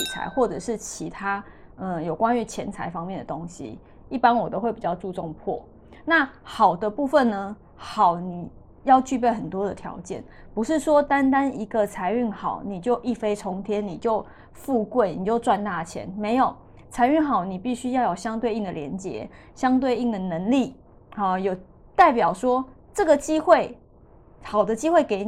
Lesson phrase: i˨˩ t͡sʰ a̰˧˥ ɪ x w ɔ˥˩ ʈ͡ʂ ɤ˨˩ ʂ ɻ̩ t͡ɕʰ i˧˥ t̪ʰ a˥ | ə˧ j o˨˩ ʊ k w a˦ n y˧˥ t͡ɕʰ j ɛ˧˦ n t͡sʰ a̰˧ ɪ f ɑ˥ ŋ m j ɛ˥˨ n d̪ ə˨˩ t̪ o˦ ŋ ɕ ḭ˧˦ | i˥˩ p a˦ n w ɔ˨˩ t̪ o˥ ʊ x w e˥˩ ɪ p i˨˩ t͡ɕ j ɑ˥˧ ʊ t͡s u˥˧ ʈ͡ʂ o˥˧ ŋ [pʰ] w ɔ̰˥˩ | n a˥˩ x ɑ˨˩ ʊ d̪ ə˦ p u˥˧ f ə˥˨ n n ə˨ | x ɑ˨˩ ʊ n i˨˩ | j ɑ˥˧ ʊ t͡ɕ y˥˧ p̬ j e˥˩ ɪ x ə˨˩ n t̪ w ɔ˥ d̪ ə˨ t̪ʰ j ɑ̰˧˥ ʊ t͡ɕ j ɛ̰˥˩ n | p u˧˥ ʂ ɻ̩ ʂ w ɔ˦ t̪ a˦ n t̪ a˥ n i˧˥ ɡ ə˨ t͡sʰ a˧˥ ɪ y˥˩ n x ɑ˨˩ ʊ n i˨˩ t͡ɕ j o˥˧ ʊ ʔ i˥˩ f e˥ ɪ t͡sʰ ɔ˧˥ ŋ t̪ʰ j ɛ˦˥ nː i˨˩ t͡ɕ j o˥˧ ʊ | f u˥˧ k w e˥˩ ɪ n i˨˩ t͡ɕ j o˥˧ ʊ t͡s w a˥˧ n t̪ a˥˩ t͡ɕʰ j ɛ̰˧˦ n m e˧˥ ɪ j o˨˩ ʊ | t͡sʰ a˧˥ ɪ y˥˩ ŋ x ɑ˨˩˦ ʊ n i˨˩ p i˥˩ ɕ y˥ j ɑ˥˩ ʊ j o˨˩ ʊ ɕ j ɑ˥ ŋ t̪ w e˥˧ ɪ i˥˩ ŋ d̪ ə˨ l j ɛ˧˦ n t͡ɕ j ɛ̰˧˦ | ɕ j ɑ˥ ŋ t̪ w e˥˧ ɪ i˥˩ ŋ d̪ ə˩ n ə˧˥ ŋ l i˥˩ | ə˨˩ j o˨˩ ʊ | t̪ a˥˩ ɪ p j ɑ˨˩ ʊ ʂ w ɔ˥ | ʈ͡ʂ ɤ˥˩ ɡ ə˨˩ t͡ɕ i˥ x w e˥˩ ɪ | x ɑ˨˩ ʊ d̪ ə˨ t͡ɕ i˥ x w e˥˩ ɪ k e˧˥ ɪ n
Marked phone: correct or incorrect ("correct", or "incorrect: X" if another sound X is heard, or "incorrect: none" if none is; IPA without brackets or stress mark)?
correct